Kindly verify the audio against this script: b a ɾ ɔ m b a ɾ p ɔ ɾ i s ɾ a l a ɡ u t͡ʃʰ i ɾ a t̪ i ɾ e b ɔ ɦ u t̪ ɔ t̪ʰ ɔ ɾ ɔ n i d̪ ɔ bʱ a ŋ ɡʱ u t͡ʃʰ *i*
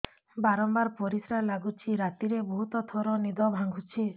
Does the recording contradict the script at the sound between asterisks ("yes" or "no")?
no